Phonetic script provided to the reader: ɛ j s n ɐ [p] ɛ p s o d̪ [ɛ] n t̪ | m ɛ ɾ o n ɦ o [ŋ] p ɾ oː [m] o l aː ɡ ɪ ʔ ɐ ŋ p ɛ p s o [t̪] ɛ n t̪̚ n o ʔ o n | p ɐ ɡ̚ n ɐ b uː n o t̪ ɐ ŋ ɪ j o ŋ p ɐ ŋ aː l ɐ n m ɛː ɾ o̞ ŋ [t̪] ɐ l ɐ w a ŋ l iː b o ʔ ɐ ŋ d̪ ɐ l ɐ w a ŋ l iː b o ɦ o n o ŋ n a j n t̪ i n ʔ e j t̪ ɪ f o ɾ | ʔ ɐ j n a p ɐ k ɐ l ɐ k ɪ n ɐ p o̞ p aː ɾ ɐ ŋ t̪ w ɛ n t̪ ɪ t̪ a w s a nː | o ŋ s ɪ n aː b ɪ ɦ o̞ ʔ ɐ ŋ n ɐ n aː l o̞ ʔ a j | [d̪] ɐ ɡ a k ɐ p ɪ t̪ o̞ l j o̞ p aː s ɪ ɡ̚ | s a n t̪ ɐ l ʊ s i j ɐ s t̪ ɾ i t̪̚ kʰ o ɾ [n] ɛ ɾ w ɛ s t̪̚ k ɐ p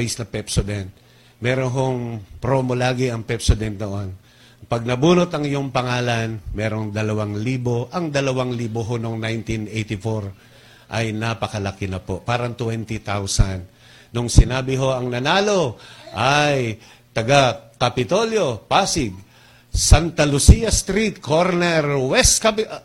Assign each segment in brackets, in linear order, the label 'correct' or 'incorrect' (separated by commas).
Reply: correct, correct, correct, correct, incorrect, incorrect, incorrect, correct